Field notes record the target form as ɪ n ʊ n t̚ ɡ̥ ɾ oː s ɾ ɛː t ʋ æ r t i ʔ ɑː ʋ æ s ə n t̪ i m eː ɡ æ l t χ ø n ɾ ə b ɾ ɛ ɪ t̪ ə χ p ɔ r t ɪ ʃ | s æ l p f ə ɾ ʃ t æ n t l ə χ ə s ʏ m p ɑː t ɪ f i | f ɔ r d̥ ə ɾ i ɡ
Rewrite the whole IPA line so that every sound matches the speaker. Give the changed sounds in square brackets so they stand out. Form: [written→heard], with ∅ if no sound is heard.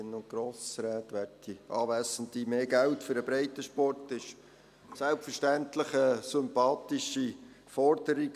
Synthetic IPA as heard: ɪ n ʊ n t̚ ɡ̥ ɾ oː s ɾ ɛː t ʋ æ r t i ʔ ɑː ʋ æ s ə n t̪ i m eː ɡ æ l t [χ→f] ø [n→∅] ɾ ə b ɾ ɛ ɪ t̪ ə [χ→ʃ] p ɔ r t ɪ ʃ | s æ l p f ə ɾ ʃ t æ n t l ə χ ə s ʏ m p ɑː t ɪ [f→ʃ] i | f ɔ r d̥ ə ɾ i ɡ